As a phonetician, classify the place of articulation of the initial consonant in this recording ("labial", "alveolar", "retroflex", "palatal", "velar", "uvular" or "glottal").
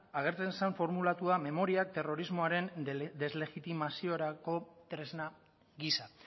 velar